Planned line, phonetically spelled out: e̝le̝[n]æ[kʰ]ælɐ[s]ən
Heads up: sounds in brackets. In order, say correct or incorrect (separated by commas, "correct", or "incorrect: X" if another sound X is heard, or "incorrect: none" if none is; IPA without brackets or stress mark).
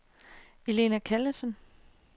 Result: correct, correct, correct